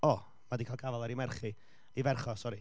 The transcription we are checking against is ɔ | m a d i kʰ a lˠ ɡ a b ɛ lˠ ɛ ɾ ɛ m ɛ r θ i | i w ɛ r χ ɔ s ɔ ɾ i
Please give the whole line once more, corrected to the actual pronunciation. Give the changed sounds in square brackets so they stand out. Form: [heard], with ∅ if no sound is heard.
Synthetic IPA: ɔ | m a d i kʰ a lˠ ɡ a [v] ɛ lˠ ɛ ɾ [i] m ɛ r [χ] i | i [v] ɛ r χ ɔ s ɔ ɾ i